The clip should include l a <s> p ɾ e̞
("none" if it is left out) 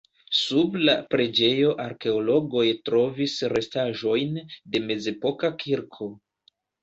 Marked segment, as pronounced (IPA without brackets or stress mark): none